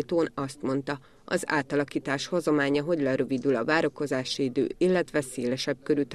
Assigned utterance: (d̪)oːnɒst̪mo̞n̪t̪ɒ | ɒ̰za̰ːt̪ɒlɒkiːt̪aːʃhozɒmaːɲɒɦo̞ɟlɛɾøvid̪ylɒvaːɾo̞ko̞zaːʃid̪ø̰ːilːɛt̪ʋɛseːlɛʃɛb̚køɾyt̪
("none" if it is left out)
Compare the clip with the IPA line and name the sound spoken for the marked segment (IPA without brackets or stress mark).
t̪